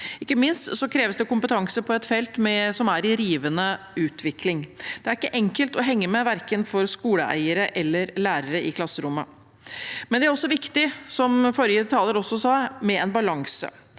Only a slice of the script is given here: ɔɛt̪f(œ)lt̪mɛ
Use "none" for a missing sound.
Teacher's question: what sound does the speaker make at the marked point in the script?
ɛ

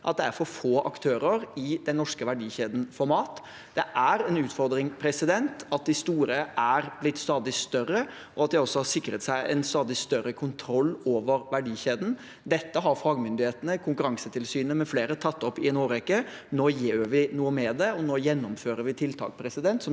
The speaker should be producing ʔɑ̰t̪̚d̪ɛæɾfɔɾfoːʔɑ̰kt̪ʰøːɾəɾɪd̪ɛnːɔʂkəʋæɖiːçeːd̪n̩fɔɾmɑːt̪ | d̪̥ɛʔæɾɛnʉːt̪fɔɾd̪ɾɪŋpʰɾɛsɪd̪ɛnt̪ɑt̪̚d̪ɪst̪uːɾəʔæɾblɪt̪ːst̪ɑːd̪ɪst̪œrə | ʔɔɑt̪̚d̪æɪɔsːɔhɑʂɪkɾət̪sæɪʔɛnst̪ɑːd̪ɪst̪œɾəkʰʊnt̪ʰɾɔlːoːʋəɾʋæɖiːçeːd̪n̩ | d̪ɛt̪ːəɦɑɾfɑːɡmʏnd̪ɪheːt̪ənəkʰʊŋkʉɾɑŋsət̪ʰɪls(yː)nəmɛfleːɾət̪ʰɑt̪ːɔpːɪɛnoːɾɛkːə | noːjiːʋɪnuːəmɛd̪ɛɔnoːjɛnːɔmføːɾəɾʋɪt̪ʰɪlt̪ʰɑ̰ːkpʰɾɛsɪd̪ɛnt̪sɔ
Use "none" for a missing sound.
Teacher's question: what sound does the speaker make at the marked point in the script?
yː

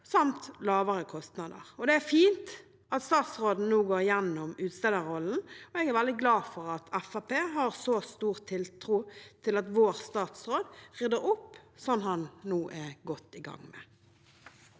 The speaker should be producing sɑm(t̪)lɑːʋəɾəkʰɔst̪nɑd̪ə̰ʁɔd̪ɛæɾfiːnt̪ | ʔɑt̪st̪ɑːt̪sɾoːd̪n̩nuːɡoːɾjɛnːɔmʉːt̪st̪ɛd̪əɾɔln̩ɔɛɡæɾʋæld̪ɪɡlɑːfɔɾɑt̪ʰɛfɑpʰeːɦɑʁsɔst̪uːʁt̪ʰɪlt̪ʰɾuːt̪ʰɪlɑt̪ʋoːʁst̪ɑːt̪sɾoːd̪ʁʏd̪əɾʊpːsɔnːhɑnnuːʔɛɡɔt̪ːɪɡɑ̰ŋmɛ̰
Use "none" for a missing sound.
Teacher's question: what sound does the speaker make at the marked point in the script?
t̪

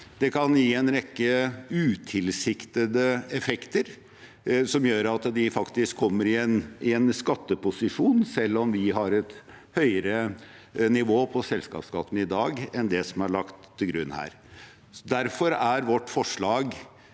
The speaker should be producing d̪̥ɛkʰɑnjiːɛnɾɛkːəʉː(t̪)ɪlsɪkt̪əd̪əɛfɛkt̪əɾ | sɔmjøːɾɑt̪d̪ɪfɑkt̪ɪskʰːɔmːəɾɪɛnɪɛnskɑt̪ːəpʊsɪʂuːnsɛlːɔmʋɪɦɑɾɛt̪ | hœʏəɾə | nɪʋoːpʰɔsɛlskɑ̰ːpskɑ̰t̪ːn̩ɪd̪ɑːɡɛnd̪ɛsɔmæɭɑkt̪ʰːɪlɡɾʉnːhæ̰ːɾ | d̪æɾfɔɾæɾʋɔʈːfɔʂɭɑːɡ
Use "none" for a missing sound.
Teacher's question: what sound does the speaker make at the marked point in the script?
t̪ʰ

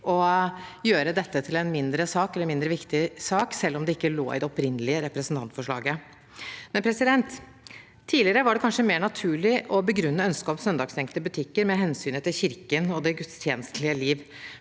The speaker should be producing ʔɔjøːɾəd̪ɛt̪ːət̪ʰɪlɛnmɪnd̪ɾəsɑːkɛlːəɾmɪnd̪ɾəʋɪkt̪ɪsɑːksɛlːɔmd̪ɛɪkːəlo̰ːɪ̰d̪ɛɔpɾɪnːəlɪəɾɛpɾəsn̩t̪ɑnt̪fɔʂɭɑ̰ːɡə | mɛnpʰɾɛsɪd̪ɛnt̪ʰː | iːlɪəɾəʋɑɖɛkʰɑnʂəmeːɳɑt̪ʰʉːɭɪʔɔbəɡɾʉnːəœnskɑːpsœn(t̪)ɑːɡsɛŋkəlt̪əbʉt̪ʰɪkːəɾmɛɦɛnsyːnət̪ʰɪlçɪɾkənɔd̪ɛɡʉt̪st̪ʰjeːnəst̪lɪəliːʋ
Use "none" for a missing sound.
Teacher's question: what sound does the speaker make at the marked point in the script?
d̪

